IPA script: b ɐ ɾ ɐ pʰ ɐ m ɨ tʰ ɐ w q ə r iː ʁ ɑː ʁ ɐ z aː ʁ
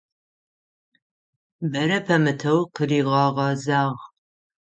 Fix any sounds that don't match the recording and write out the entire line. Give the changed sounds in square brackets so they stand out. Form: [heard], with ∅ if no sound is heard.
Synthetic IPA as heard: b ɐ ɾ ɐ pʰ ɐ m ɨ tʰ ɐ w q ə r iː ʁ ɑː ʁ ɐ z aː ʁ